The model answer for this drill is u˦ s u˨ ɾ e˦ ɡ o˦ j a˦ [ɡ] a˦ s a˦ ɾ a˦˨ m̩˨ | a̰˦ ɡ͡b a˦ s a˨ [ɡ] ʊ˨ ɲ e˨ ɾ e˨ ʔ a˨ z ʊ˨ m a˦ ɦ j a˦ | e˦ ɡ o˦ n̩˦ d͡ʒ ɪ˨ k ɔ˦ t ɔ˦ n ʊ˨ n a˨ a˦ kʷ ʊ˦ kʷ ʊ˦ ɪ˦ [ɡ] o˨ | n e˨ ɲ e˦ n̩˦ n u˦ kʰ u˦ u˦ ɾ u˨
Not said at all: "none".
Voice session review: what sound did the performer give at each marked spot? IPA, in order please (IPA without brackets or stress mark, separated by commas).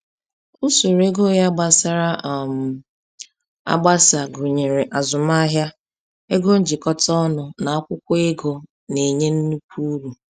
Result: ɡ͡b, ɡ, ɡ